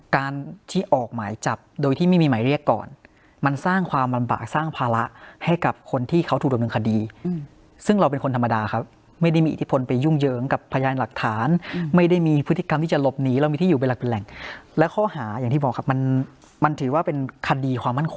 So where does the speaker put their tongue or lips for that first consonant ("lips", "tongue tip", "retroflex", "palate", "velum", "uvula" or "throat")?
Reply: velum